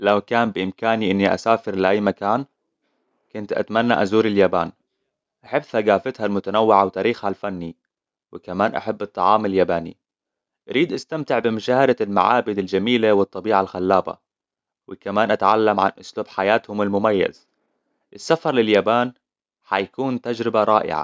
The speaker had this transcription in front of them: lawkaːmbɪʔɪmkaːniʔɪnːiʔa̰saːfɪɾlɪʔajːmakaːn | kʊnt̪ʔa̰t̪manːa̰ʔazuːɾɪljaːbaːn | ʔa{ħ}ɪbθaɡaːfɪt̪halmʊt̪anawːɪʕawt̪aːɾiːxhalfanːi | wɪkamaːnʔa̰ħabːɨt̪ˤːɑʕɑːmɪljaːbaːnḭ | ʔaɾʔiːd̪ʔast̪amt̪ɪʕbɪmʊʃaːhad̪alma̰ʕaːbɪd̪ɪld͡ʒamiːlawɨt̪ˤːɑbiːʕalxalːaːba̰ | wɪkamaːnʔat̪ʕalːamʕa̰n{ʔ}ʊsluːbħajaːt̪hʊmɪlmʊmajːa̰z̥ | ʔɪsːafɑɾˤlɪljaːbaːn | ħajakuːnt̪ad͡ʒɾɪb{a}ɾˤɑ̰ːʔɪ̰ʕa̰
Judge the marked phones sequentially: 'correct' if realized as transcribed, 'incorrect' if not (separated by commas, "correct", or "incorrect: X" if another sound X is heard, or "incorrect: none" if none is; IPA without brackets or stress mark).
correct, correct, correct